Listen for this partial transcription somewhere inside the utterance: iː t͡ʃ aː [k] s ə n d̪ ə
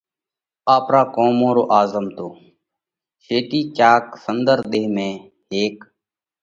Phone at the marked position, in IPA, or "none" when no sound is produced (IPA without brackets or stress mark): k